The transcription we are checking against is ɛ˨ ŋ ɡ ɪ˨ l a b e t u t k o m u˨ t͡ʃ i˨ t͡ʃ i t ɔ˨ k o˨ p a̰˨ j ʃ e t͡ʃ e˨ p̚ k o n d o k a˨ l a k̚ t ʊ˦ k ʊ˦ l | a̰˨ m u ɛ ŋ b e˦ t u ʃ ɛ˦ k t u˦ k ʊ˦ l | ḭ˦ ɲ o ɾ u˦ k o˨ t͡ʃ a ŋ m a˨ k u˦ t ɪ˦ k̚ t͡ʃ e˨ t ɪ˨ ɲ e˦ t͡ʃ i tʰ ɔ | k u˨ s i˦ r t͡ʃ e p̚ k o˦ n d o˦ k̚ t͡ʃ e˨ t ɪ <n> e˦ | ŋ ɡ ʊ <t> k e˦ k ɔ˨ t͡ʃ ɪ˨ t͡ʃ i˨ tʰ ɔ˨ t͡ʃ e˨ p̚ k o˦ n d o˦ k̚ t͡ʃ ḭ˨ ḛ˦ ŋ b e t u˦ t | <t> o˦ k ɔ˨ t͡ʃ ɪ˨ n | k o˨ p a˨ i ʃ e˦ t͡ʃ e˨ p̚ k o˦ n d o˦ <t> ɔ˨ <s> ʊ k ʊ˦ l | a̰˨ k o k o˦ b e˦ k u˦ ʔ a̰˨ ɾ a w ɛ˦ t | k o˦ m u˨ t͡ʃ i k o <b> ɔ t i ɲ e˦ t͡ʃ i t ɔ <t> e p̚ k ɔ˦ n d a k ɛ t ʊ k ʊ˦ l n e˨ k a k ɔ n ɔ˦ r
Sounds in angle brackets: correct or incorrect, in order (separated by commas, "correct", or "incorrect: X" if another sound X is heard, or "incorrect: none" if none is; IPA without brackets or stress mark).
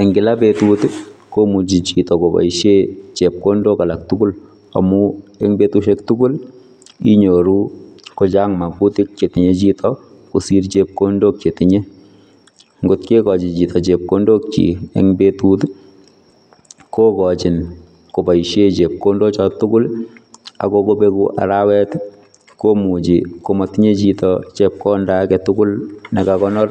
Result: incorrect: ɲ, correct, incorrect: k, incorrect: t͡ʃ, incorrect: t, incorrect: m, incorrect: t͡ʃ